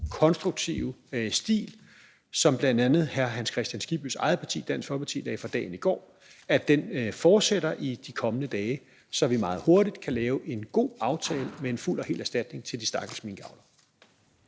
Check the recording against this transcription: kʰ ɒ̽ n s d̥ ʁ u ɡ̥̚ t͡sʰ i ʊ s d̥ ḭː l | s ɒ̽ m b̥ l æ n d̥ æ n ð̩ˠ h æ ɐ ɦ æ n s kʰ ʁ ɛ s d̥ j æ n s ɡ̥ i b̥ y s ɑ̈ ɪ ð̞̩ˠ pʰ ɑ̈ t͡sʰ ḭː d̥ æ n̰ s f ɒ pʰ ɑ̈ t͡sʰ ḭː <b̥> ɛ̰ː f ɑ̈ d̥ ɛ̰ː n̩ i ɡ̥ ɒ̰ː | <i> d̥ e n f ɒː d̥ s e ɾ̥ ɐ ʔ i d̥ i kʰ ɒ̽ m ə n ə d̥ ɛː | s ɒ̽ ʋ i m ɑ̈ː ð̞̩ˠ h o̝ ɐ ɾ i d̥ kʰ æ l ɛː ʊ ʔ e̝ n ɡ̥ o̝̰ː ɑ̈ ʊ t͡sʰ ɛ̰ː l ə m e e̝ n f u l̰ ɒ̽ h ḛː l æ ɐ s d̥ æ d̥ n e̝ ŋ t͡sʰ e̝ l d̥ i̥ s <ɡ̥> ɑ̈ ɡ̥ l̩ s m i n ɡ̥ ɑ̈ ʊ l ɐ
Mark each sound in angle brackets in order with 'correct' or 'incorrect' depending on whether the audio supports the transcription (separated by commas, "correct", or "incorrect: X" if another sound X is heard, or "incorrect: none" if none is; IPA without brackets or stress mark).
incorrect: d̥, incorrect: æ, incorrect: d̥